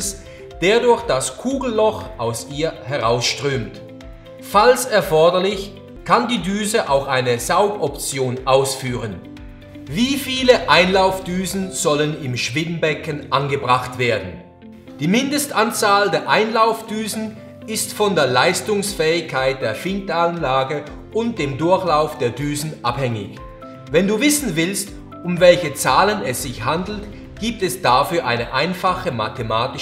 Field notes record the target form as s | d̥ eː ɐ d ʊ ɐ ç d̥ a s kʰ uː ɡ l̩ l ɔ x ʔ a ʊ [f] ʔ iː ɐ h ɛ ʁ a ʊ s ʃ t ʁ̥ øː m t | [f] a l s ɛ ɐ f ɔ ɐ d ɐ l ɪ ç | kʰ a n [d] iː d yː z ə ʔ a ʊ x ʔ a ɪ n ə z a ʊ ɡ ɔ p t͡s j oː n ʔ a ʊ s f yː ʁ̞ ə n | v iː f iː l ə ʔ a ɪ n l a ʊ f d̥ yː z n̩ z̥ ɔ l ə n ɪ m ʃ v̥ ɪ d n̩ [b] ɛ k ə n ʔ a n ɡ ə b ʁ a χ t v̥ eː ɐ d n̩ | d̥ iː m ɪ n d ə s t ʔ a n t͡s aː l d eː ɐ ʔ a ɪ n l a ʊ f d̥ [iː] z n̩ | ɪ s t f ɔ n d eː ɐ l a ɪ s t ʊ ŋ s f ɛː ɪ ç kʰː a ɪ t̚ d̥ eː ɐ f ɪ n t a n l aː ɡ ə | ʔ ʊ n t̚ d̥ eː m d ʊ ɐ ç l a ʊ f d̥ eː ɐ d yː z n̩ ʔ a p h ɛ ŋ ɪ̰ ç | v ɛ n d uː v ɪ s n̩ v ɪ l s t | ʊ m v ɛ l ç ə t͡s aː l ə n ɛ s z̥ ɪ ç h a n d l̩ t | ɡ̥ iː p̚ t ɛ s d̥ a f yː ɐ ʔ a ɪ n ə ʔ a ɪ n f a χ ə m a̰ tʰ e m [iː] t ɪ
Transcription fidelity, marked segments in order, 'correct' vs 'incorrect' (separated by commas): incorrect, correct, correct, correct, incorrect, incorrect